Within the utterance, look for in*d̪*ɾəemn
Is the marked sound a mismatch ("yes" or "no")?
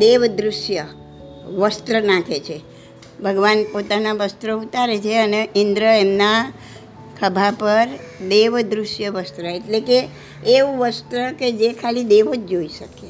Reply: no